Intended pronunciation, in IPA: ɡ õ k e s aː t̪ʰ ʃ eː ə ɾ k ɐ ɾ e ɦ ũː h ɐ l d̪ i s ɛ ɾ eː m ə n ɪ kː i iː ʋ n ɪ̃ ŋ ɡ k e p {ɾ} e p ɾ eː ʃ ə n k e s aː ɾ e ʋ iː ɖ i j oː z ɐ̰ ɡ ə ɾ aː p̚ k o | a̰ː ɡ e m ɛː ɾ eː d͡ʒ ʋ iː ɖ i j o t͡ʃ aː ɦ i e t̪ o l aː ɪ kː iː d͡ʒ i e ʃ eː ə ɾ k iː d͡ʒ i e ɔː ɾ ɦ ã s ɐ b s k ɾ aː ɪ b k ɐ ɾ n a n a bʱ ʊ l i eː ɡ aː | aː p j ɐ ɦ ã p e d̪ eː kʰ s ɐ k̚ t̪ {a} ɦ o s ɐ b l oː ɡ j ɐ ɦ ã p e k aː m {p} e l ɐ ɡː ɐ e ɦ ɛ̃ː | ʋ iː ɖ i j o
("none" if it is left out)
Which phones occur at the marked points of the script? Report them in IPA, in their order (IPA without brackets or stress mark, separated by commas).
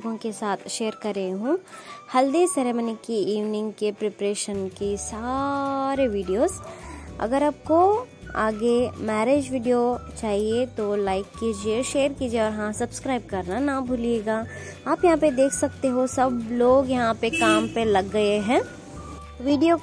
ɾ, e, p